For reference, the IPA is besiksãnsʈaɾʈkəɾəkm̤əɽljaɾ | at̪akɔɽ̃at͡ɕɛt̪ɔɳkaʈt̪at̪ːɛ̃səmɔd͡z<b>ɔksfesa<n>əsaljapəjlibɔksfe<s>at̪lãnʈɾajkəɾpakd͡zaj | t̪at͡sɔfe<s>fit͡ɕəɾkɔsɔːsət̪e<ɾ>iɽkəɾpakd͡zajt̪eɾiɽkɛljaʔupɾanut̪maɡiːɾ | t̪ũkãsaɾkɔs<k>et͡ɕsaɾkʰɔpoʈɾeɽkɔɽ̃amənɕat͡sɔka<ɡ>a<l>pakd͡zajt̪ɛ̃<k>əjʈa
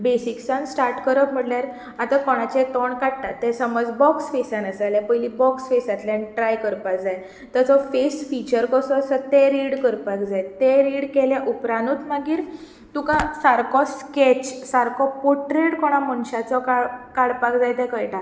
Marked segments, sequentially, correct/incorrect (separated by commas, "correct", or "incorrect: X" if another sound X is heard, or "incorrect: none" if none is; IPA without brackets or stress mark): correct, correct, correct, correct, correct, correct, incorrect: k, incorrect: ɽ, correct